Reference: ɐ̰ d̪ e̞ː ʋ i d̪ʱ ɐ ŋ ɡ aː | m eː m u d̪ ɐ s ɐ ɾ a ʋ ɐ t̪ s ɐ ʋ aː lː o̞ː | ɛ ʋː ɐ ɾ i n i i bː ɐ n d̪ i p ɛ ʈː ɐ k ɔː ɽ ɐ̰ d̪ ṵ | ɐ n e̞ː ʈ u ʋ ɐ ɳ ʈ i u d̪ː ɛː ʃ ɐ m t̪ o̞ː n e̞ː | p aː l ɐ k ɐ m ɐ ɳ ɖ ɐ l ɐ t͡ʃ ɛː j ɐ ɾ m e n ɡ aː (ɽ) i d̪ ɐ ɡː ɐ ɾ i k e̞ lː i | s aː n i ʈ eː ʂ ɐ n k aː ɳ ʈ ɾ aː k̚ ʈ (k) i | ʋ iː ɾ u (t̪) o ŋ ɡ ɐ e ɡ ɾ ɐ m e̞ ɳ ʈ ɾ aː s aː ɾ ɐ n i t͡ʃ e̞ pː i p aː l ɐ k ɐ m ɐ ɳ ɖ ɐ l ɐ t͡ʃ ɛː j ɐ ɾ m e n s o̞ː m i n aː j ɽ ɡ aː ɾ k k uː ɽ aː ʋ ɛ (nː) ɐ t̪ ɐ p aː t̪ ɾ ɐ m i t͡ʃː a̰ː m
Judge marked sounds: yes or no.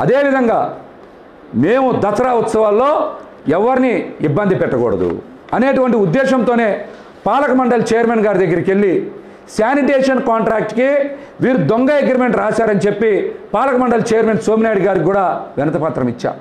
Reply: no, yes, no, no

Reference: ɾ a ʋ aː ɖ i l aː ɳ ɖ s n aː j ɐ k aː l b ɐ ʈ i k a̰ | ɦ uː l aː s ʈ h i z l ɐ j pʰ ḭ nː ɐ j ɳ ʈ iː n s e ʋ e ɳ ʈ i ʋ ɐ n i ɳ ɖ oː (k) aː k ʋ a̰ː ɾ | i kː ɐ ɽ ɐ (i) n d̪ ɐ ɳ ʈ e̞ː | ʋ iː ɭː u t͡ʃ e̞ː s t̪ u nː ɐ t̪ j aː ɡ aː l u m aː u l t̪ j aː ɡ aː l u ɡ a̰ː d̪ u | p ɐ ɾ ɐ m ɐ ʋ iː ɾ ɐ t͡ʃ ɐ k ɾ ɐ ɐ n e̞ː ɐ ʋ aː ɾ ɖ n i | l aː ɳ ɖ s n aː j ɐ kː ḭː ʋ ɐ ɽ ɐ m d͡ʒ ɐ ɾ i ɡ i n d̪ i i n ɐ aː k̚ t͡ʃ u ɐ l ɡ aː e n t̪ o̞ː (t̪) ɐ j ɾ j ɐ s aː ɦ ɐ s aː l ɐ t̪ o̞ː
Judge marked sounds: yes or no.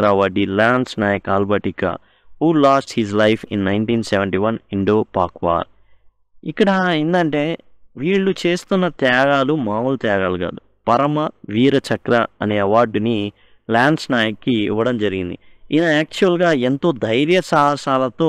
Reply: no, yes, no

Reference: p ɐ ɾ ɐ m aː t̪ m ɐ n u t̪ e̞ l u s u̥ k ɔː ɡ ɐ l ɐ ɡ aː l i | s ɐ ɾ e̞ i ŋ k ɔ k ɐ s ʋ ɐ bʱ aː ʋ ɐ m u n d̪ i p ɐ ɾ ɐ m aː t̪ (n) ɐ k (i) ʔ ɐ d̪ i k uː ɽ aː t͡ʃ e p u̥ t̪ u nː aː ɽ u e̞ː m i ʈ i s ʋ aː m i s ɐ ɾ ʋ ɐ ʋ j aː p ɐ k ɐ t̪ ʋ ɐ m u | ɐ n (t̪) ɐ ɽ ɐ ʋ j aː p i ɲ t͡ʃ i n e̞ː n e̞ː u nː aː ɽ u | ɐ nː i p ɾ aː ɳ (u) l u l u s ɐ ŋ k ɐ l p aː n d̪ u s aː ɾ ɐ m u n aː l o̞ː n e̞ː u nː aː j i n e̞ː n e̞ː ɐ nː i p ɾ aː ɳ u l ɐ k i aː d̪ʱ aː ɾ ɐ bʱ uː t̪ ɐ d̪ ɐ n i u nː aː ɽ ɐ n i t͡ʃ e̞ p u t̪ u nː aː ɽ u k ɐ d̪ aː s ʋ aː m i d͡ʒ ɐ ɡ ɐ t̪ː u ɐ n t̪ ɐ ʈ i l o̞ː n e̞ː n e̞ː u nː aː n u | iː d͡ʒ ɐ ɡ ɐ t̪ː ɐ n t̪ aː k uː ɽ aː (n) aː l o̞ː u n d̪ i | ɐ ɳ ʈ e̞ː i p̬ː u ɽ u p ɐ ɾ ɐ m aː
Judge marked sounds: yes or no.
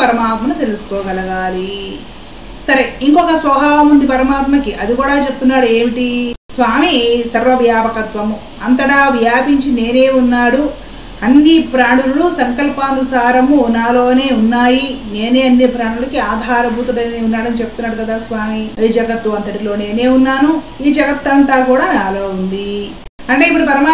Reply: no, yes, yes, yes, yes

